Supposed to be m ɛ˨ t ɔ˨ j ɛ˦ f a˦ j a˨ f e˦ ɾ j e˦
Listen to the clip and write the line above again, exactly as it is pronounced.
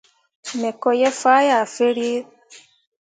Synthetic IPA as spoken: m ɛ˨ k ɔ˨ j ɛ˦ f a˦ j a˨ f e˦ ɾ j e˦